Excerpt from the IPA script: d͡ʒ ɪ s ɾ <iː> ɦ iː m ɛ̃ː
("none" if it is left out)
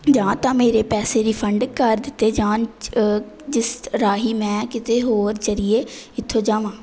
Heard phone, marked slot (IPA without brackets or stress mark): aː